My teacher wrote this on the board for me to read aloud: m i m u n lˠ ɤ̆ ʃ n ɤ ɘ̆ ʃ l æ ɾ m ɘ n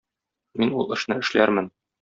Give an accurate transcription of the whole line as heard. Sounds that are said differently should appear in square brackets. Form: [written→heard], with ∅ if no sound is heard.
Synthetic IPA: m i [m→n] u [n→∅] lˠ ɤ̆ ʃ n ɤ ɘ̆ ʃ l æ ɾ m ɘ n